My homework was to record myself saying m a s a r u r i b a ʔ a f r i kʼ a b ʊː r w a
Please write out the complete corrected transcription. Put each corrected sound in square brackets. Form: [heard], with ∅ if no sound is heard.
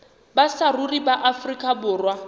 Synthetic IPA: [b] a s a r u r i b a ʔ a f r i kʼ a b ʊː r w a